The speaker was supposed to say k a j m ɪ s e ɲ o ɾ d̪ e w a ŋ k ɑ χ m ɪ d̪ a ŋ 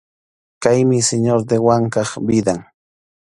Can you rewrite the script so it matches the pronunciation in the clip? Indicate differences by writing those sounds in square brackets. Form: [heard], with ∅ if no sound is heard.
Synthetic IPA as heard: k a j m ɪ s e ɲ o ɾ d̪ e w a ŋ k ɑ χ [b] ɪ d̪ a ŋ